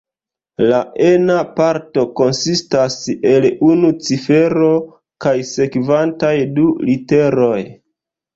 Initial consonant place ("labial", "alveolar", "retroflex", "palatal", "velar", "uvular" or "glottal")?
alveolar